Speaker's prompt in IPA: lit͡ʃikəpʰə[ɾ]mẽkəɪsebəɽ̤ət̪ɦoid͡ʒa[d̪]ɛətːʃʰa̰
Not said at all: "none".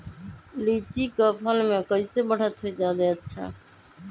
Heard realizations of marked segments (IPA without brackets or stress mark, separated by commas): l, d̪